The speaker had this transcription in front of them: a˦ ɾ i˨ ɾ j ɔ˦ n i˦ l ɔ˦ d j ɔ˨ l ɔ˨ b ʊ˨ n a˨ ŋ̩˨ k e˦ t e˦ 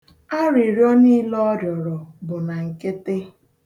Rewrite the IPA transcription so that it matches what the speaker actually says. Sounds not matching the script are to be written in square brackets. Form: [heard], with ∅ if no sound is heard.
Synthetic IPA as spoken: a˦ ɾ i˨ ɾ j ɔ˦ n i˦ l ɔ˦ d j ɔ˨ [ɾ] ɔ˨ b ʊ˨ n a˨ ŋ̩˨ k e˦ t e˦

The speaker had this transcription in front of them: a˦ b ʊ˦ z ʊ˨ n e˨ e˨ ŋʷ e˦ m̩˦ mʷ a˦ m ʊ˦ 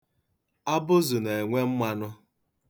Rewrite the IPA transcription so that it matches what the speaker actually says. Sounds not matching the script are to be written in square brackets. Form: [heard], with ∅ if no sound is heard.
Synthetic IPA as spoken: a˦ b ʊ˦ z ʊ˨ n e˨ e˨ ŋʷ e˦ m̩˦ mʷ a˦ [n] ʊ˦

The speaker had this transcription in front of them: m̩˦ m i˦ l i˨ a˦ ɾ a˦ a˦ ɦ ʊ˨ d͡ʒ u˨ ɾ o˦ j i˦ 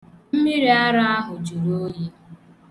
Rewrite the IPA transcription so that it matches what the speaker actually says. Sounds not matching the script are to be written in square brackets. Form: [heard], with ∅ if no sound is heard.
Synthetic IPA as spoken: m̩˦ m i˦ [ɾ] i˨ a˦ ɾ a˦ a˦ ɦ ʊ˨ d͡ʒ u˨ ɾ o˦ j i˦

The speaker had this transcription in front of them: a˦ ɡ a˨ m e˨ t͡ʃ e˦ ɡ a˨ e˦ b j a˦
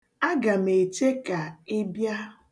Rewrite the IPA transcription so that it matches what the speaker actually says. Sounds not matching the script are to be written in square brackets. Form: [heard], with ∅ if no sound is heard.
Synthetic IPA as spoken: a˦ ɡ a˨ m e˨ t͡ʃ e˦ [k] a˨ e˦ b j a˦

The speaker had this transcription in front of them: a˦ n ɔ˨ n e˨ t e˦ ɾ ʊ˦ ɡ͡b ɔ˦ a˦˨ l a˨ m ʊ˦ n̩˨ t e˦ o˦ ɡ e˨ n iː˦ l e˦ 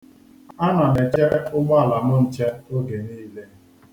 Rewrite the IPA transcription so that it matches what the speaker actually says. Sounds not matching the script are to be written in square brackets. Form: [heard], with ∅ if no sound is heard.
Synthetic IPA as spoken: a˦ n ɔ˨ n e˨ [t͡ʃ] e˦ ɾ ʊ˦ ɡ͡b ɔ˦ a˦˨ l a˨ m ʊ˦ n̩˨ [t͡ʃ] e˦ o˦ ɡ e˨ n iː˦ l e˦

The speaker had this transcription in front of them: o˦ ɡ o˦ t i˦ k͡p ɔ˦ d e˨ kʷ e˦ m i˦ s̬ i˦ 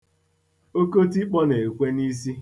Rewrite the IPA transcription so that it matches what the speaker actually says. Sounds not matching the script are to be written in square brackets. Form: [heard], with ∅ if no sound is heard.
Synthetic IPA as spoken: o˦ [k] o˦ t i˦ k͡p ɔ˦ [n] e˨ kʷ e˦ [n] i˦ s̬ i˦

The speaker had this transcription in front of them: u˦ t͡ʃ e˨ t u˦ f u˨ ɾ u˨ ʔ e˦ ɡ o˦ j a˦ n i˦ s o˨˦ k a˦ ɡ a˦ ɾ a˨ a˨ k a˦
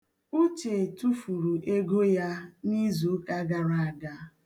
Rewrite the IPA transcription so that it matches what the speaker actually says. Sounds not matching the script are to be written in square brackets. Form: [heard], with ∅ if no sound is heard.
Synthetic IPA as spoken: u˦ t͡ʃ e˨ t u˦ f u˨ ɾ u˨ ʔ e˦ ɡ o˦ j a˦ n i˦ [z] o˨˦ k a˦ ɡ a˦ ɾ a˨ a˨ [ɡ] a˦

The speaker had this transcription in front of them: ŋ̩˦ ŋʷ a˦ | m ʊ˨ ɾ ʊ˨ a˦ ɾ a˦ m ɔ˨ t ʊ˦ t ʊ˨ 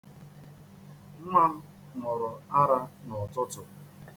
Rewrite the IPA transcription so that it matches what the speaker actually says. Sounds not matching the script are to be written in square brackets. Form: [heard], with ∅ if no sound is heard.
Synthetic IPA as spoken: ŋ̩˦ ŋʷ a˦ | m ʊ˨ ɾ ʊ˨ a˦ ɾ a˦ [n] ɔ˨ t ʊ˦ t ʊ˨

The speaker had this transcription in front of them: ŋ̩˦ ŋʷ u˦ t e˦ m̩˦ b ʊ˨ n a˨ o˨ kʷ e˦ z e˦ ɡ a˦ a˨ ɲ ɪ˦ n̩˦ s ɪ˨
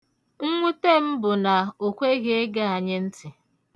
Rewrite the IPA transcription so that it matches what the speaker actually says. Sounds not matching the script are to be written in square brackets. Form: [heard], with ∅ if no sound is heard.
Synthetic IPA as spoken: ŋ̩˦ ŋʷ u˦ t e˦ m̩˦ b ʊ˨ n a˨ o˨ kʷ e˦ [ɣ] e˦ ɡ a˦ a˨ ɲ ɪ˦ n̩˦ [t] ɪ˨

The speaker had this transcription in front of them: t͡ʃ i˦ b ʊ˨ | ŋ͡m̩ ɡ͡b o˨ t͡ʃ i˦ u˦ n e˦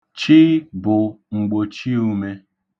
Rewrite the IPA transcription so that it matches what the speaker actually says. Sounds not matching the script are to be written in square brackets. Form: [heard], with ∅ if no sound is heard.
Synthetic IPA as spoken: t͡ʃ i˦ b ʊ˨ | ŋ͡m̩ ɡ͡b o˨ t͡ʃ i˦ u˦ [m] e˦

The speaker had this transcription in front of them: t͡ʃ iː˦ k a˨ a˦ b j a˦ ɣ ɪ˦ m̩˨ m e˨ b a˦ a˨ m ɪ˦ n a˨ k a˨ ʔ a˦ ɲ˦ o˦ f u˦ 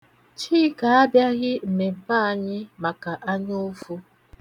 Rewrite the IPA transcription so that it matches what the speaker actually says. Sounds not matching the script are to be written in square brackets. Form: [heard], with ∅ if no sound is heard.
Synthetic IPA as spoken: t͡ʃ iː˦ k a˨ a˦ b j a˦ ɣ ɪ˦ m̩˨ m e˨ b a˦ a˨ [ɲ] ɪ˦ [m] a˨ k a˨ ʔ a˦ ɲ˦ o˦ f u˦

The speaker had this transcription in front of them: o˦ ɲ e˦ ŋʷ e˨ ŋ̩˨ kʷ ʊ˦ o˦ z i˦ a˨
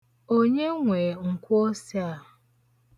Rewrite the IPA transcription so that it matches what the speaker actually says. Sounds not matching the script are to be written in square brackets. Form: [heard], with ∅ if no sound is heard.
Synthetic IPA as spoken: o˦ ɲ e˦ ŋʷ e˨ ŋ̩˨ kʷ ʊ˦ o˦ [s] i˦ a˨

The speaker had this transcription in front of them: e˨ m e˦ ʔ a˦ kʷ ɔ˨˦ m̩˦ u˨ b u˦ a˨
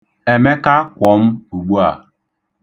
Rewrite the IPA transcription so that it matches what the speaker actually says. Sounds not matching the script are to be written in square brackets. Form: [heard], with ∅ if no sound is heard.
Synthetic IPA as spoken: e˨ m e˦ [k] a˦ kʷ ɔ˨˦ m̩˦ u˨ [ɡ͡b] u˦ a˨

